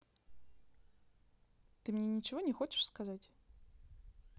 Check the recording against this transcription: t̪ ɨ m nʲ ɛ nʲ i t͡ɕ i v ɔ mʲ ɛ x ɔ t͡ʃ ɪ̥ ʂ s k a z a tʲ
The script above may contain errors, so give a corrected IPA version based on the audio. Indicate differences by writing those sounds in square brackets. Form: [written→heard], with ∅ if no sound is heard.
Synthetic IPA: t̪ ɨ m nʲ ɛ nʲ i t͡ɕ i v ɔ [mʲ→nʲ] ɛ x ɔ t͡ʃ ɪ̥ ʂ s k a z a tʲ